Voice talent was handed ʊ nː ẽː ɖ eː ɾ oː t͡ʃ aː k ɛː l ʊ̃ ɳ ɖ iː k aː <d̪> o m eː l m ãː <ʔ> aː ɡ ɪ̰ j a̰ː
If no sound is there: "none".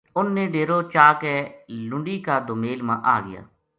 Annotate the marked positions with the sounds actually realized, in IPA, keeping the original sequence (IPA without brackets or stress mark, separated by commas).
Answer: d̪, ʔ